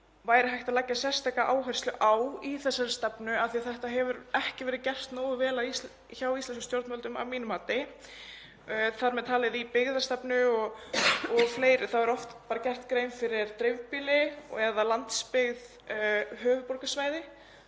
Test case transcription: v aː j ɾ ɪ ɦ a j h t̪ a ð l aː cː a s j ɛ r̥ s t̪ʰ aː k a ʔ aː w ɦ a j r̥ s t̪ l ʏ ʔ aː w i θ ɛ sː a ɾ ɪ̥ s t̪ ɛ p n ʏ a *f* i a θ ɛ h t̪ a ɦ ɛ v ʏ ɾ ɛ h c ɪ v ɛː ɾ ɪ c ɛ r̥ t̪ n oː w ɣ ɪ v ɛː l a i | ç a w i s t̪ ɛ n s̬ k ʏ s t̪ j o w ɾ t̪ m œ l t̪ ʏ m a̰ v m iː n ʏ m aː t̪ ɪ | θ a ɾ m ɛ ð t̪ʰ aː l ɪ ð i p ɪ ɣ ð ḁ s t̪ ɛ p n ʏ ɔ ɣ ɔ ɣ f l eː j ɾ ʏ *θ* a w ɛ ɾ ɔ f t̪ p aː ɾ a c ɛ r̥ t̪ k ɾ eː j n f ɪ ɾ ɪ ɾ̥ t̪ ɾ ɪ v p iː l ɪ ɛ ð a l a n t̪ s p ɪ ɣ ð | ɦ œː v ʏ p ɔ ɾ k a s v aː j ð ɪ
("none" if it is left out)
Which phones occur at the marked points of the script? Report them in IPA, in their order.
θ, θ

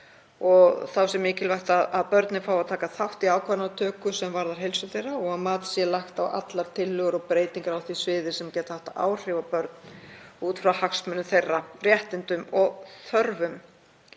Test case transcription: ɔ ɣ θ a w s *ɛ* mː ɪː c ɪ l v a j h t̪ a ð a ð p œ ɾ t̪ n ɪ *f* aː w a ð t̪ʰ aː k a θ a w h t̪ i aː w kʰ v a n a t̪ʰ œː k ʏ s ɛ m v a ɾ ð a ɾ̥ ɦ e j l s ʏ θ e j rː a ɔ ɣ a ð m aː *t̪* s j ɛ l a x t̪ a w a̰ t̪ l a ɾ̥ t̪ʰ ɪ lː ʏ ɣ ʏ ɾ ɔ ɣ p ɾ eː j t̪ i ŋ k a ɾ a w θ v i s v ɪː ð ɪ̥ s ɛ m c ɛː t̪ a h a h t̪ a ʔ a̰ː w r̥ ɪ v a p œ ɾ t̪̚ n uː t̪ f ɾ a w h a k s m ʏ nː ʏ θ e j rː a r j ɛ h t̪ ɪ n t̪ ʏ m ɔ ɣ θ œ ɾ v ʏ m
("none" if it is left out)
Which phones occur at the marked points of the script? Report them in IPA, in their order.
ɛ, f, t̪

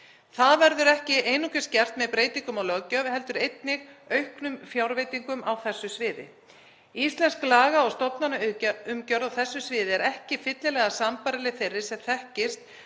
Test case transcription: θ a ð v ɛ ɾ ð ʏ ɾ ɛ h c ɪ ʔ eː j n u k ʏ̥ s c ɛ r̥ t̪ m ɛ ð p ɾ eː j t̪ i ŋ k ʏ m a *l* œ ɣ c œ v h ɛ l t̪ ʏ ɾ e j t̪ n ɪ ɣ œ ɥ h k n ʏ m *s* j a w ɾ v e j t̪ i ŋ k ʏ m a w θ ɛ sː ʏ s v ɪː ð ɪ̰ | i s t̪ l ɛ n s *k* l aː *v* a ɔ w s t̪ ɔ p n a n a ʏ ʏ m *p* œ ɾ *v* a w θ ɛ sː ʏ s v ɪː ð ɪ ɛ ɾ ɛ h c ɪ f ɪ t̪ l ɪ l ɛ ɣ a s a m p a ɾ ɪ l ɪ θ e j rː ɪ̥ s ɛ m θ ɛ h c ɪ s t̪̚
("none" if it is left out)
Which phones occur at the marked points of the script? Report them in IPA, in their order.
l, f, k, ɣ, c, ð

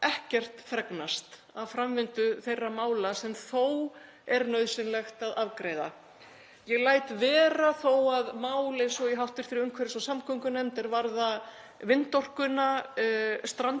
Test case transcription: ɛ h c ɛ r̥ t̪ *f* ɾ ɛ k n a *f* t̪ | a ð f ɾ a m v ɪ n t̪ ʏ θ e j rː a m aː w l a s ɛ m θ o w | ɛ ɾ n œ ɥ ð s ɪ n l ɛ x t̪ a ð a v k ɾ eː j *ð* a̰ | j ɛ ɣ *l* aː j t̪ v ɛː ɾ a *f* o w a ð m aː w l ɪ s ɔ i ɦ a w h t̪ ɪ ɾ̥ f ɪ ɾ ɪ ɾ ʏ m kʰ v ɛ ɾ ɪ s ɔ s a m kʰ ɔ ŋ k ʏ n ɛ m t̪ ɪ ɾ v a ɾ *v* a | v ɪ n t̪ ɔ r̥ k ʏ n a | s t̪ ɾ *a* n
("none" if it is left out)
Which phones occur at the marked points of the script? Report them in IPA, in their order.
f, s, ð, l, θ, ð, a

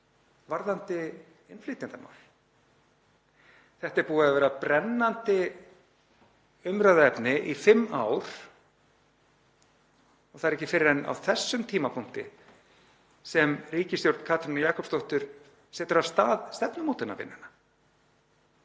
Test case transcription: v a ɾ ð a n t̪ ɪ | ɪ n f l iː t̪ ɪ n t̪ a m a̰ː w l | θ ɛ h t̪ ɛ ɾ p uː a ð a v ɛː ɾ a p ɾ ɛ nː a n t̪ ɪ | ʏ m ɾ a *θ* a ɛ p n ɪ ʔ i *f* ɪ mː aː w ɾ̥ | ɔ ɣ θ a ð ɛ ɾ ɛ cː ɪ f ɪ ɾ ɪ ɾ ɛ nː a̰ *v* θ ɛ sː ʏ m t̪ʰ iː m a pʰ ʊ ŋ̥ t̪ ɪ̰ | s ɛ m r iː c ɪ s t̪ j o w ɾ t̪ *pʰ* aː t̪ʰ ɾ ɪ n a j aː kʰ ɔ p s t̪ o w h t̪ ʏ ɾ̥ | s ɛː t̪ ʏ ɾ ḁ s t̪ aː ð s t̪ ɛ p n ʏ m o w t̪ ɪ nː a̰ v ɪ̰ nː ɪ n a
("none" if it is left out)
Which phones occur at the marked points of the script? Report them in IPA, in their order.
ð, f, w, kʰ

